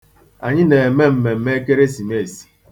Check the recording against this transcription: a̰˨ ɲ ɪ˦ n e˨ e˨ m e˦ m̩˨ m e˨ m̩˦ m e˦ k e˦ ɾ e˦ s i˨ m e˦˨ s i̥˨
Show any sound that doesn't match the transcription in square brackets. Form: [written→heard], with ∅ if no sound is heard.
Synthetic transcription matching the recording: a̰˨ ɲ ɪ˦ n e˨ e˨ m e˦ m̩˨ m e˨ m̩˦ m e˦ k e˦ ɾ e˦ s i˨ m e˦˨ s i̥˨